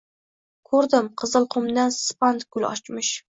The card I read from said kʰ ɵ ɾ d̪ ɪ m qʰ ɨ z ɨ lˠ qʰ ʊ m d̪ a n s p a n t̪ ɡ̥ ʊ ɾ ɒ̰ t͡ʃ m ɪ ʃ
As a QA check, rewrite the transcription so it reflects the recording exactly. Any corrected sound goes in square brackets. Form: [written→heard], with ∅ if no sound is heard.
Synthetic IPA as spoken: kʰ ɵ ɾ d̪ ɪ m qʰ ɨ z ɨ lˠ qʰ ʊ m d̪ a n s p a n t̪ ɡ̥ ʊ [ɾ→l] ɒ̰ t͡ʃ m ɪ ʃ